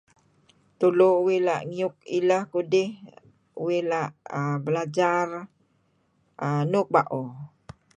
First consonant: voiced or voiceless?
voiceless